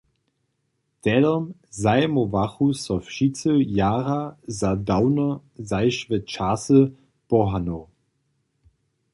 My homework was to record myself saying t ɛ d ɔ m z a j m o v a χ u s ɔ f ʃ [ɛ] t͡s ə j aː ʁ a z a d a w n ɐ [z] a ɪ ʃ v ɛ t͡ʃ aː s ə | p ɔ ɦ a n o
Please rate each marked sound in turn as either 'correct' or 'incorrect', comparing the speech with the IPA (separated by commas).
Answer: incorrect, correct